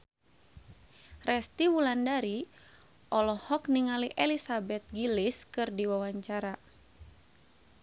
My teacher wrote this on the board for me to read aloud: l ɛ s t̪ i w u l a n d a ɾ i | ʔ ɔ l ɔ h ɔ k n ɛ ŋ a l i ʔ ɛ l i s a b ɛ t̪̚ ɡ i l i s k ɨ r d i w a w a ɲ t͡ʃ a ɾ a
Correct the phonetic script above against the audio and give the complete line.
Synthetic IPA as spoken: r ɛ s t̪ i w u l a n d a ɾ i | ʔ ɔ l ɔ h ɔ k n i ŋ a l i ʔ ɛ l i s a b ɛ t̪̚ ɡ i l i s k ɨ r d i w a w a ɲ t͡ʃ a ɾ a